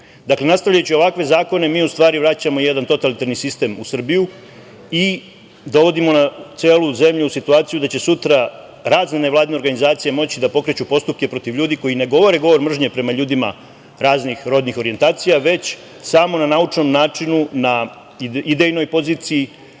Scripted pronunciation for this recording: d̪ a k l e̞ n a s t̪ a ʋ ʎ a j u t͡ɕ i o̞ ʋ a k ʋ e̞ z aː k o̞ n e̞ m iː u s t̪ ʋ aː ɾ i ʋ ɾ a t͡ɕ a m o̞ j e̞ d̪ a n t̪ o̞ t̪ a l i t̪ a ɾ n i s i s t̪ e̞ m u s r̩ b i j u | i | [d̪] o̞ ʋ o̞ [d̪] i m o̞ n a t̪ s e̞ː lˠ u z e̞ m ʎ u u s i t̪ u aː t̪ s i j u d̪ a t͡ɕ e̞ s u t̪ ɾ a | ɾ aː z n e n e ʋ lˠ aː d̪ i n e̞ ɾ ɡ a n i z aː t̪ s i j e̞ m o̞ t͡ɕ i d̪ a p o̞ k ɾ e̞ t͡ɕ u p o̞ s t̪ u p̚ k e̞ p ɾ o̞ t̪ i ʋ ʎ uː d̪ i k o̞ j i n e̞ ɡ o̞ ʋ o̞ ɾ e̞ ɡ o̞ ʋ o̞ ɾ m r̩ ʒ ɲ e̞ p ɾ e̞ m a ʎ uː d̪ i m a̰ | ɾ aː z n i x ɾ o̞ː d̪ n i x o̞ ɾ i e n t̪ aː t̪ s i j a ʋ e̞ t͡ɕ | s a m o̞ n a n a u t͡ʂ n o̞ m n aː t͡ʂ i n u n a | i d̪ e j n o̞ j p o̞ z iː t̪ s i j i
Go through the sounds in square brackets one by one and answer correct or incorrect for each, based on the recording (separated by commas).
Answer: correct, correct